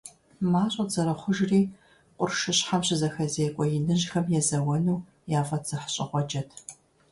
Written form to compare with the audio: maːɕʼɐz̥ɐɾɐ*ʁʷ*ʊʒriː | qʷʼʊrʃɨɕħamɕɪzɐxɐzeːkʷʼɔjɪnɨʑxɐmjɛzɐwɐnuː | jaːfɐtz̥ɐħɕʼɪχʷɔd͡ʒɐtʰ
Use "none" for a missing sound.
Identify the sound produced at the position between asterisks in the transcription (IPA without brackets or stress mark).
χʷ